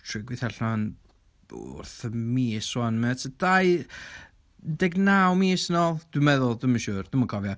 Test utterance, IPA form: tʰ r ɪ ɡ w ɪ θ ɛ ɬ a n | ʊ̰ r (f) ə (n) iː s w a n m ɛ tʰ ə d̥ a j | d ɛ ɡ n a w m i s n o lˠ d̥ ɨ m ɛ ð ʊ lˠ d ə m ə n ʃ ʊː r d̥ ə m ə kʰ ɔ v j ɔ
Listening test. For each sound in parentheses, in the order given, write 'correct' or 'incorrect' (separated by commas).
incorrect, incorrect